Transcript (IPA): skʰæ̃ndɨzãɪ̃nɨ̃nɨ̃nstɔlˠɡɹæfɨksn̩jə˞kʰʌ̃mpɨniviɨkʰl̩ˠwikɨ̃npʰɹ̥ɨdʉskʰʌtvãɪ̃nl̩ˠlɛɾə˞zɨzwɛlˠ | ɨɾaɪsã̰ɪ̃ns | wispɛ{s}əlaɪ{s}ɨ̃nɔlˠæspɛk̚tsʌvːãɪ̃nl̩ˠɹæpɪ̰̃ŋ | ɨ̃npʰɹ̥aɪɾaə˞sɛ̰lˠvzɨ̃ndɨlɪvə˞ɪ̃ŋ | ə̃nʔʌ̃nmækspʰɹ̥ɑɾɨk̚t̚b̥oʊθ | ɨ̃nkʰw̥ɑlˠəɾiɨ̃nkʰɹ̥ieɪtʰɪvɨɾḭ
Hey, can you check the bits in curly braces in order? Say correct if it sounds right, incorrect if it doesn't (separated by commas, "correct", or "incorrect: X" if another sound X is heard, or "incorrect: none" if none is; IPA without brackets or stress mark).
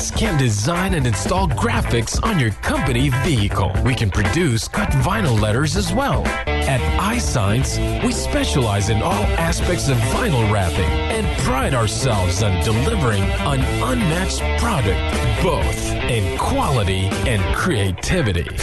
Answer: incorrect: ʃ, incorrect: z